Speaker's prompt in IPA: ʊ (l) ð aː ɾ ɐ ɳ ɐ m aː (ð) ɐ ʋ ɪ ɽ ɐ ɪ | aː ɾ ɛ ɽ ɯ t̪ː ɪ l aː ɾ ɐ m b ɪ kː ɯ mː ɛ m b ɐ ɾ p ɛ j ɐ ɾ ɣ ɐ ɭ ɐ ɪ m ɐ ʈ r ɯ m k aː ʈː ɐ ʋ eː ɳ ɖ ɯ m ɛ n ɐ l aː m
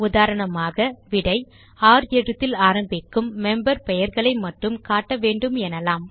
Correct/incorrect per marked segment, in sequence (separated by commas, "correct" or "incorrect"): incorrect, incorrect